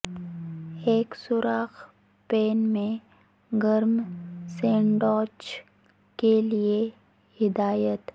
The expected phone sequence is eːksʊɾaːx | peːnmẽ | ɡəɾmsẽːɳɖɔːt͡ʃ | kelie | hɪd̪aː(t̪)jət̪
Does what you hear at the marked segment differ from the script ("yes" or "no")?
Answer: yes